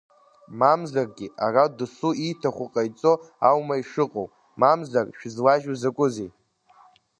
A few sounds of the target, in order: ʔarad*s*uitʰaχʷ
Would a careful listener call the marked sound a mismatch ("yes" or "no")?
no